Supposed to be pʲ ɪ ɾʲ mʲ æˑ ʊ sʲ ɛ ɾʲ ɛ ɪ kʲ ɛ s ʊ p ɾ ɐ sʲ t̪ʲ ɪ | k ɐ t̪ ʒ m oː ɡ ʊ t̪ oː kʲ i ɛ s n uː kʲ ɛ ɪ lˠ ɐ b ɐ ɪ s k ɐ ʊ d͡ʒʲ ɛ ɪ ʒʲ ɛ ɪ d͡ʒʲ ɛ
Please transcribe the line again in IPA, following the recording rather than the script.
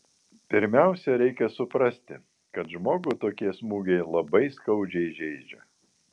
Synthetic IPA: pʲ ɪ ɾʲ mʲ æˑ ʊ sʲ ɛ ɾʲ ɛ ɪ kʲ ɛ s ʊ p ɾ ɐ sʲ t̪ʲ ɪ | k ɐ t̪ ʒ m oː ɡ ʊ t̪ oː kʲ i ɛ s m uː ɡʲ ɛ ɪ lˠ ɐ b ɐ ɪ s k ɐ ʊ d͡ʒʲ ɛ ɪ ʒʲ ɛ ɪ d͡ʒʲ ɛ